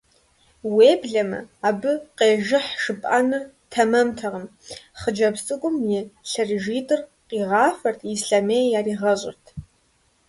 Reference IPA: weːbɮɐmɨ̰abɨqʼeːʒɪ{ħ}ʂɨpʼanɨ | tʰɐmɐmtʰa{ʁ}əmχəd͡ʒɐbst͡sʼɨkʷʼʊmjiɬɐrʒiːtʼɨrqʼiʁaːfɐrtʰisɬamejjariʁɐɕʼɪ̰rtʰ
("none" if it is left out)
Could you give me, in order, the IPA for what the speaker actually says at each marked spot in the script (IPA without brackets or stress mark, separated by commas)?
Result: ħ, ʁ